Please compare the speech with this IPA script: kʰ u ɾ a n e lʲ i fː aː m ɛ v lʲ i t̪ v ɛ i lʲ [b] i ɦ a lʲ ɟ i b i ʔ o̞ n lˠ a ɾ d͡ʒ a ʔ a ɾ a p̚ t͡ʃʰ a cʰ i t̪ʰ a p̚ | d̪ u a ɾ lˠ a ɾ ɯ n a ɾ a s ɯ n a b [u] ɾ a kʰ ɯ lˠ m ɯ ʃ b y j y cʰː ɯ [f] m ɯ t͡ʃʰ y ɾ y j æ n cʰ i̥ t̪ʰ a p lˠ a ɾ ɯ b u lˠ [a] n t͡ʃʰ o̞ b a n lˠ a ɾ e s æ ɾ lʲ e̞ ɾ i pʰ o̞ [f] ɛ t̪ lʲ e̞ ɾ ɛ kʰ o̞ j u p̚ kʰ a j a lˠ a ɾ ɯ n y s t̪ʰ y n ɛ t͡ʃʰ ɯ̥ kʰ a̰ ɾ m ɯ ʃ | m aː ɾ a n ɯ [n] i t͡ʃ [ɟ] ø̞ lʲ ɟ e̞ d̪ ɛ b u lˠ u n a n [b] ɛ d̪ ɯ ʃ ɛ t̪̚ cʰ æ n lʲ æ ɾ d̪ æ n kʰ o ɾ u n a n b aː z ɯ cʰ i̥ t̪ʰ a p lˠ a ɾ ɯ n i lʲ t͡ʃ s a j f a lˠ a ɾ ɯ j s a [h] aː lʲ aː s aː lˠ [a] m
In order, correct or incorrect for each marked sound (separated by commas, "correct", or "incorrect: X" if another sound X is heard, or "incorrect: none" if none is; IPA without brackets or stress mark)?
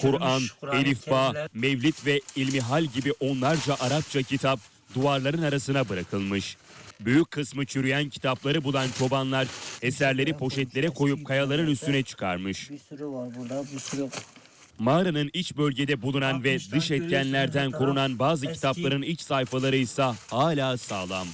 incorrect: m, incorrect: ɯ, incorrect: s, correct, incorrect: ʃ, correct, incorrect: b, incorrect: v, correct, correct